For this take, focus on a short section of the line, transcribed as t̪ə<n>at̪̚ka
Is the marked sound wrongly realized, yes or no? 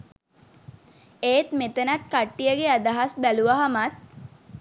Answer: no